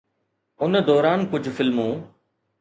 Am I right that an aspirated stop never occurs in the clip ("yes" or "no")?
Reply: yes